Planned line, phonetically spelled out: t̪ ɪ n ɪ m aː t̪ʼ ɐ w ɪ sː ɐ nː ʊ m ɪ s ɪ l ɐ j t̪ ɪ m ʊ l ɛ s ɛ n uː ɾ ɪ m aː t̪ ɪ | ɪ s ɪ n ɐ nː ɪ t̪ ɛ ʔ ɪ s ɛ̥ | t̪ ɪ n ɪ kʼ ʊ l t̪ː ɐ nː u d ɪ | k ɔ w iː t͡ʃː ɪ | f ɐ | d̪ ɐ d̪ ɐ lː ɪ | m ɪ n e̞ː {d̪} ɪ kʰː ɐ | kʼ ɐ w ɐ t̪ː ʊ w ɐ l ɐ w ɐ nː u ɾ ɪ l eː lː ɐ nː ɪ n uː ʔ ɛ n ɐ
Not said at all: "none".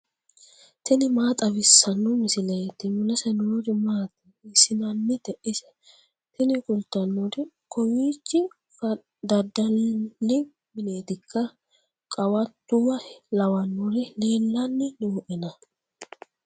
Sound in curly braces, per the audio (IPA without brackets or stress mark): t̪